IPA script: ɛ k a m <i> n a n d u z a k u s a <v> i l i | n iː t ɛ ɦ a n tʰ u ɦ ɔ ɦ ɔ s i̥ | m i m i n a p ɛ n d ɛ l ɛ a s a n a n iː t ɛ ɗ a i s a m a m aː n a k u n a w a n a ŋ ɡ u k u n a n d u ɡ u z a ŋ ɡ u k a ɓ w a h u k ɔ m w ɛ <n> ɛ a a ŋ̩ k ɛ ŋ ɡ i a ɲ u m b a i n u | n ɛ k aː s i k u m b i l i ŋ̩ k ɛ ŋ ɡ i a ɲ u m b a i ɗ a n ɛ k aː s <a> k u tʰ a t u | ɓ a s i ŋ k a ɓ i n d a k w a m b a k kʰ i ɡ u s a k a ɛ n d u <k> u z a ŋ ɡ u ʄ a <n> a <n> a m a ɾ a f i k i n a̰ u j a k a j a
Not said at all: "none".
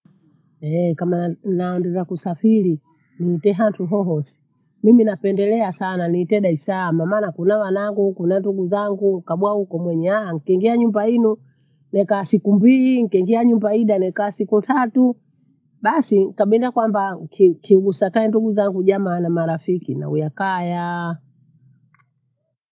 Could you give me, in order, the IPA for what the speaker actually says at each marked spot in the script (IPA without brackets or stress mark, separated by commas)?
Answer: a, f, ɲ, i, ɡ, m, n